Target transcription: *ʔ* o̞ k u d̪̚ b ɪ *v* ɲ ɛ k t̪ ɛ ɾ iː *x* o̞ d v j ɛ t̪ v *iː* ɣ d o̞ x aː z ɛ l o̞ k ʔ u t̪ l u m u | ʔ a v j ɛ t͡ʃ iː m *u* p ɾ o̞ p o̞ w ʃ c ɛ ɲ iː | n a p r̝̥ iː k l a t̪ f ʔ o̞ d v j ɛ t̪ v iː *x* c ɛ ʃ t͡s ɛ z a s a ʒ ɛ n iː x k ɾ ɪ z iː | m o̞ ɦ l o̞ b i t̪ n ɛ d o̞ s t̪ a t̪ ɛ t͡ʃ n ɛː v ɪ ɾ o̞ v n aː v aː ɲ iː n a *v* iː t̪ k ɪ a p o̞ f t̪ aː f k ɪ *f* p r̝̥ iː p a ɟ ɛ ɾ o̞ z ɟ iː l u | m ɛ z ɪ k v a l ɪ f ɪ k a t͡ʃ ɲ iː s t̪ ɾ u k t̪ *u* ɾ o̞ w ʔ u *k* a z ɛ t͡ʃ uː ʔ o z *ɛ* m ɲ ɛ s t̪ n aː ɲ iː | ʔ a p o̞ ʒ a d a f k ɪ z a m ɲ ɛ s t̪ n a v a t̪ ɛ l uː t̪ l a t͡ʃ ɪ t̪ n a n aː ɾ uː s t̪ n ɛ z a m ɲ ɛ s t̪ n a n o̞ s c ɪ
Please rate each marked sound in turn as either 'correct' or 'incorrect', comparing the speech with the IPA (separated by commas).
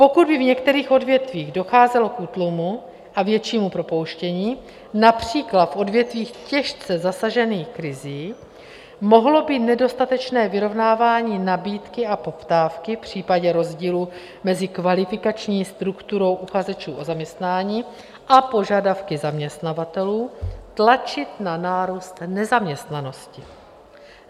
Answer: incorrect, correct, correct, correct, correct, correct, incorrect, correct, correct, incorrect, incorrect